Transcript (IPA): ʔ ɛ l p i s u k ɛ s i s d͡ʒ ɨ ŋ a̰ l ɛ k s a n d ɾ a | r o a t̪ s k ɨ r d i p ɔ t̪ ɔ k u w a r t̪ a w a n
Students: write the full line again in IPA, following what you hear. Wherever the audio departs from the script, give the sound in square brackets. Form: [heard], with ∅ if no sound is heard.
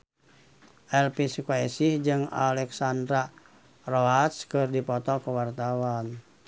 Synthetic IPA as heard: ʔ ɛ l p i s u k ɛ s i [h] d͡ʒ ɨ ŋ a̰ l ɛ k s a n d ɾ a | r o a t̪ s k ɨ r d i p ɔ t̪ ɔ k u w a r t̪ a w a n